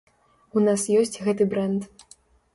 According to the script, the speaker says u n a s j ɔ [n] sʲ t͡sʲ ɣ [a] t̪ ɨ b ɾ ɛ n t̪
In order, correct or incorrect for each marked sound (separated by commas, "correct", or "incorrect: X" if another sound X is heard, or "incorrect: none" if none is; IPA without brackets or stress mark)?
incorrect: none, incorrect: ɛ